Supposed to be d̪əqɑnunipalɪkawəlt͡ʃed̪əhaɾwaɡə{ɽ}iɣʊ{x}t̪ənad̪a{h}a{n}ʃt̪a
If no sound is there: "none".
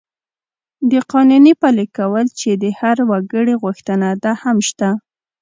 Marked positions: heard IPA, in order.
ɽ, x, h, m

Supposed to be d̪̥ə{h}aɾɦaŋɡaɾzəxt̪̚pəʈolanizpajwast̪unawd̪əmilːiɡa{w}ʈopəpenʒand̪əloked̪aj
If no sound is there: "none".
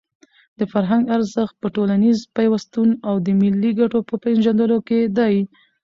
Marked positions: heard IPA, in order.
f, none

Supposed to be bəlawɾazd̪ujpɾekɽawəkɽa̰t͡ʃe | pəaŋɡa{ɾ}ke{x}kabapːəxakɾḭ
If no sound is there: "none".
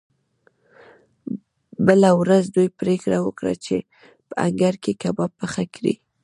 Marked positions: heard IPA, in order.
ɾ, none

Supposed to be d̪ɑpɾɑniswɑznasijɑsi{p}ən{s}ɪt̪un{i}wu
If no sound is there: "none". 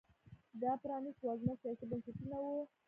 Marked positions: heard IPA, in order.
b, s, a

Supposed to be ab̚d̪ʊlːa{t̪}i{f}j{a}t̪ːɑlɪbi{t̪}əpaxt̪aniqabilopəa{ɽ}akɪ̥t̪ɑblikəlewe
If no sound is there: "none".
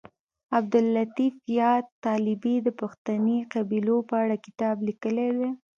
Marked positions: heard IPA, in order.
t̪, f, ɑ, d̪, ɽ

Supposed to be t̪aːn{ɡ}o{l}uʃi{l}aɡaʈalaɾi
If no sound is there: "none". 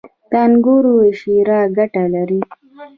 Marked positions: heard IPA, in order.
ɡ, ɾ, ɾ

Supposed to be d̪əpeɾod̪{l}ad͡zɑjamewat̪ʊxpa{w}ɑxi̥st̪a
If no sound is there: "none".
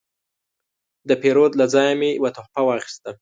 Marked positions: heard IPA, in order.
l, w

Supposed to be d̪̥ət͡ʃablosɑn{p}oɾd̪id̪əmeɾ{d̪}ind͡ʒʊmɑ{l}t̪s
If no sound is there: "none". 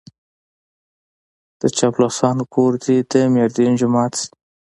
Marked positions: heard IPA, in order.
k, d̪, none

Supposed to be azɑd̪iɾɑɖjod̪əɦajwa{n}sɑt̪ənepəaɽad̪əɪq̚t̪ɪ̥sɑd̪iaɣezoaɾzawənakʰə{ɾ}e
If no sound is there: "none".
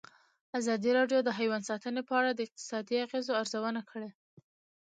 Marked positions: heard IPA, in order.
n, ɽ

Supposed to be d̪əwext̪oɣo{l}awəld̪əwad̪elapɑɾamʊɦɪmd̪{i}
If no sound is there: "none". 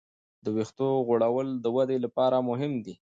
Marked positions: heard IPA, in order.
ɽ, i

